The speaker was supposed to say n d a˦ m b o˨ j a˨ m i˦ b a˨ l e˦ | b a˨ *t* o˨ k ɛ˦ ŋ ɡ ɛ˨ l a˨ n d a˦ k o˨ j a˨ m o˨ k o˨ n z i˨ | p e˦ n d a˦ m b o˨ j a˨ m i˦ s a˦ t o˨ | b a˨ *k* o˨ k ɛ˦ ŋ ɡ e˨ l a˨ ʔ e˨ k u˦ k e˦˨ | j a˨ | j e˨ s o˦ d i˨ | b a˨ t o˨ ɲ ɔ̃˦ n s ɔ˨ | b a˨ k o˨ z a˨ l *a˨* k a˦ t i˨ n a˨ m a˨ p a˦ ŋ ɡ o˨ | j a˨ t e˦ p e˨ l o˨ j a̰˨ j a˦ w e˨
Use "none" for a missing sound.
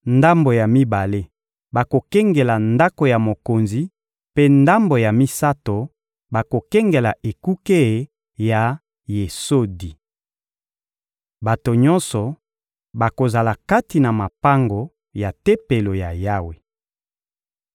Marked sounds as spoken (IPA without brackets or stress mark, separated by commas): k, k, a˨